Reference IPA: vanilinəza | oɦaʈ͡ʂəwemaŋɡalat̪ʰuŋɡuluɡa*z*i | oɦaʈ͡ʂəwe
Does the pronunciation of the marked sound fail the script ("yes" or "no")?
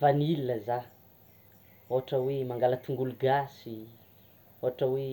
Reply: yes